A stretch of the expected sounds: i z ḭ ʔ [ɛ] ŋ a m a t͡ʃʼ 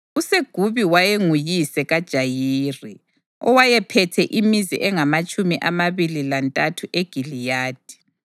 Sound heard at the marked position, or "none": ɛ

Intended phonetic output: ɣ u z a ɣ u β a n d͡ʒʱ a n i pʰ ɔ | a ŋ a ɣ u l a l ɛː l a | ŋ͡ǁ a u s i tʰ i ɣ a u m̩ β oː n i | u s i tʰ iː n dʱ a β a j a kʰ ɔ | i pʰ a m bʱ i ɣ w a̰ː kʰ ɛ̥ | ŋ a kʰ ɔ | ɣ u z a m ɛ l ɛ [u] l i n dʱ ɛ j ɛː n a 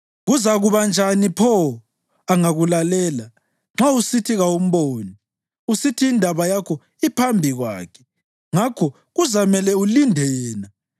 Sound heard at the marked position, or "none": u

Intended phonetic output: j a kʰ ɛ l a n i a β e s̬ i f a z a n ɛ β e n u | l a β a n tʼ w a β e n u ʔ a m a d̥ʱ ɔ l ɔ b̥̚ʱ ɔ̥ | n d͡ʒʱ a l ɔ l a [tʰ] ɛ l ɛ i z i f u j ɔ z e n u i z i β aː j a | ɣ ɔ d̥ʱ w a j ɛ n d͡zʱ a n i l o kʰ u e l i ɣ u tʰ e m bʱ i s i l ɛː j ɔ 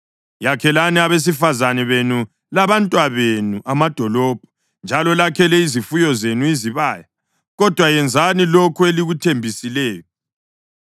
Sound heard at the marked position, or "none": kʰ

